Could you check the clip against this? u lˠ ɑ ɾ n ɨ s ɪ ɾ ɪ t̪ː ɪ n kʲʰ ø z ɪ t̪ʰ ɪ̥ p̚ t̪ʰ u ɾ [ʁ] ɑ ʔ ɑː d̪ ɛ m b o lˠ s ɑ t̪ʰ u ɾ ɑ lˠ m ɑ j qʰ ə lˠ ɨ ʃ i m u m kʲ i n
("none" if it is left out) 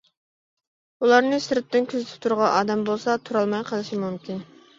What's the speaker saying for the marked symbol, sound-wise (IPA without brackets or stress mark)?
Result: ʁ